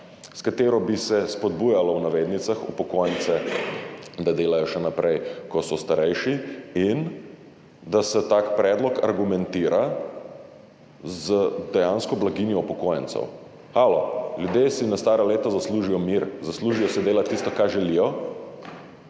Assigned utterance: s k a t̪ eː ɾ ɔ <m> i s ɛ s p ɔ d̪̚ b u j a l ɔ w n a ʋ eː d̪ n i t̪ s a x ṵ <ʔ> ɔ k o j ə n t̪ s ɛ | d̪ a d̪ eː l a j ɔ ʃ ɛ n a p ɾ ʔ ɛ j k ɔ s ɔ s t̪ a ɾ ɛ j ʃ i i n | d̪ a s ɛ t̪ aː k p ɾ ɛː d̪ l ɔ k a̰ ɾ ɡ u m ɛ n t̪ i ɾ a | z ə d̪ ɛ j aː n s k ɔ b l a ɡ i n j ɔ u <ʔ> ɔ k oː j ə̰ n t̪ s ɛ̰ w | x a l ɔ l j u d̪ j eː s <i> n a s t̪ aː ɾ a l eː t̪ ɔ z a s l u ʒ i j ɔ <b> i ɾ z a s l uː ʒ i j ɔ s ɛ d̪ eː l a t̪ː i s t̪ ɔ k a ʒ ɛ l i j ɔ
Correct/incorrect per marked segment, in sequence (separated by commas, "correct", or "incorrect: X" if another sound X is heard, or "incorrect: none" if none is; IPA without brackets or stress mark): incorrect: b, incorrect: p, incorrect: p, correct, incorrect: m